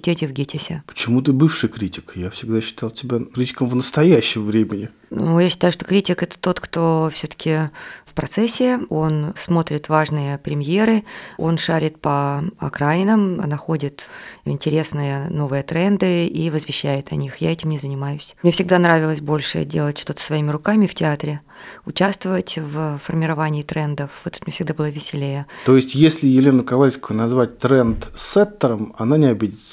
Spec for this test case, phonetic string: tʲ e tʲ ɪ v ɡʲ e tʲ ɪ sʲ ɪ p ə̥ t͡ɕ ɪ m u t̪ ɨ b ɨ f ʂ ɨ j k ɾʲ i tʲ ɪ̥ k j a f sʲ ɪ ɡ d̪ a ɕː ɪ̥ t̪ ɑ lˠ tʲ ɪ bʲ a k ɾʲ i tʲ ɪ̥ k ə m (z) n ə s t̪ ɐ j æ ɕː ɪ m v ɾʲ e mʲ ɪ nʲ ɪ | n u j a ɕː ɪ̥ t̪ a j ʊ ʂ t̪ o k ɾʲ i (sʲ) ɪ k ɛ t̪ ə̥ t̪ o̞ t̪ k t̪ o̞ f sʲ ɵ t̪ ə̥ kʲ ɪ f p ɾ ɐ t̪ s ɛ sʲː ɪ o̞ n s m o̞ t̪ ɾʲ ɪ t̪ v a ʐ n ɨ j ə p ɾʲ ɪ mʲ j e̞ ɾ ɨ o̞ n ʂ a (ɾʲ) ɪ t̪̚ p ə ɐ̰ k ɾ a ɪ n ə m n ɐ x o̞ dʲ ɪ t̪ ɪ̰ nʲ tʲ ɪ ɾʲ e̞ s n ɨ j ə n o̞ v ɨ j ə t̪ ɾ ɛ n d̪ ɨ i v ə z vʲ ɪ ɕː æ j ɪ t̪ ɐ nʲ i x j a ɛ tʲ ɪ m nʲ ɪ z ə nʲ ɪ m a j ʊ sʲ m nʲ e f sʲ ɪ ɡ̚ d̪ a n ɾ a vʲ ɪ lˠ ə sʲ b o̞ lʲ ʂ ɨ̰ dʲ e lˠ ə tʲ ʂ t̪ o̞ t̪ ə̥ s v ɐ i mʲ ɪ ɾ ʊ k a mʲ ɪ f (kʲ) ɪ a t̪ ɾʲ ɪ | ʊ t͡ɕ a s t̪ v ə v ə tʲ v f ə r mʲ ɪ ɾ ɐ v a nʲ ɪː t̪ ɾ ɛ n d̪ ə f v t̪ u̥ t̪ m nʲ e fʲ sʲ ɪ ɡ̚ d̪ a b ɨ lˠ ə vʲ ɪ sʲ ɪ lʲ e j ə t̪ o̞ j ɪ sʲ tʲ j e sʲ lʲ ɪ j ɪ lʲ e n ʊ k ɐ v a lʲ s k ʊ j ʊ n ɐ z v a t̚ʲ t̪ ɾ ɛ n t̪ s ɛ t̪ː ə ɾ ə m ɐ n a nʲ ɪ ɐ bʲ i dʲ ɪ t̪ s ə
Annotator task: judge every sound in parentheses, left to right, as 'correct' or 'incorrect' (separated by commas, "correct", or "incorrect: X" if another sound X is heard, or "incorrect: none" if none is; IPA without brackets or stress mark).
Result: incorrect: v, incorrect: tʲ, correct, incorrect: tʲ